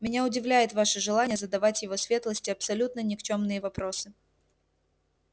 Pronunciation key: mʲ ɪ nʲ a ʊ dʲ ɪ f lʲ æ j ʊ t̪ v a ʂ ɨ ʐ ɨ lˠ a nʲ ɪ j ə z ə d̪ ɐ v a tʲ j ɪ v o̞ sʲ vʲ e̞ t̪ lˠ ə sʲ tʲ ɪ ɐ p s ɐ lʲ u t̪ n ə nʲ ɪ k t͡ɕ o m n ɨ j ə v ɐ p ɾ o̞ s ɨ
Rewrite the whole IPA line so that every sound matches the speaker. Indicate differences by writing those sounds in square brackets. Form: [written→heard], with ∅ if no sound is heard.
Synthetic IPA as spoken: mʲ ɪ nʲ a ʊ dʲ ɪ [f→v] lʲ æ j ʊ t̪ v a ʂ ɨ ʐ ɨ lˠ a nʲ ɪ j ə z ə d̪ ɐ v a tʲ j ɪ v o̞ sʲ vʲ e̞ t̪ lˠ ə sʲ tʲ ɪ ɐ p s ɐ lʲ u t̪ n ə nʲ ɪ k t͡ɕ o m n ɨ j ə v ɐ p ɾ o̞ s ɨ